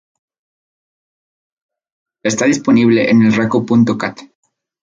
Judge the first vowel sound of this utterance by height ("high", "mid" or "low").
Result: mid